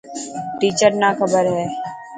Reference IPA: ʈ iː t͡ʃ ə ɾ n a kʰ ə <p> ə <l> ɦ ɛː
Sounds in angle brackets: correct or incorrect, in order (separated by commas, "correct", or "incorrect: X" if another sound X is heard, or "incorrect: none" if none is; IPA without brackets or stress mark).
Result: incorrect: b, incorrect: ɾ